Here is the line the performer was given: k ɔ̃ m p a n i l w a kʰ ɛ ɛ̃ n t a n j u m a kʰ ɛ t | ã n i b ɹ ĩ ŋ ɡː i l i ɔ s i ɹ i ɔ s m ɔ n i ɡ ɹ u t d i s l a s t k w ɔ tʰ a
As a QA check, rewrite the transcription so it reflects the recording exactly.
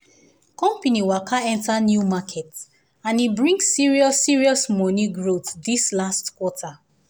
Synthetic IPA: k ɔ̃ m p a n i w a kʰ a ɛ̃ n t a n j u m a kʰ ɛ t | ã n i b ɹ ĩ ŋ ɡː i ɹ i ɔ s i ɹ i ɔ s m ɔ n i ɡ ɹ o t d i s l a s t k w ɔ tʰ a